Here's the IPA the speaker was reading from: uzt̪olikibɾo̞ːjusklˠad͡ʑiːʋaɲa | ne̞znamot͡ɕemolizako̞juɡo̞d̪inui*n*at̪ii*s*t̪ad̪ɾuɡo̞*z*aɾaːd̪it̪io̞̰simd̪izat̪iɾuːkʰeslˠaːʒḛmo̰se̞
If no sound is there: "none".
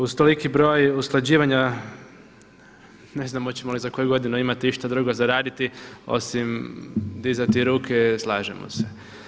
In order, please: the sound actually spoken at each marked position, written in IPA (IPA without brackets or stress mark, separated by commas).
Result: m, ʃ, z